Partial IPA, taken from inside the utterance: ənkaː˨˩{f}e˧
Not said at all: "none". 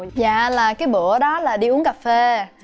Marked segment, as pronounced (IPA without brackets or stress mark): f